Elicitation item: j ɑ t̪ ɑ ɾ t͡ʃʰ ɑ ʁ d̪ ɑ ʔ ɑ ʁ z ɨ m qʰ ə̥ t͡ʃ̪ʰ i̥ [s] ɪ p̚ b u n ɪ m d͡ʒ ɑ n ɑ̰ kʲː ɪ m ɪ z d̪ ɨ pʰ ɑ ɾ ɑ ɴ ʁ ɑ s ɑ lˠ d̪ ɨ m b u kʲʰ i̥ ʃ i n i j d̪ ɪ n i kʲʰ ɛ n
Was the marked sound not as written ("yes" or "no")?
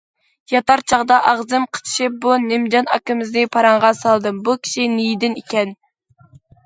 yes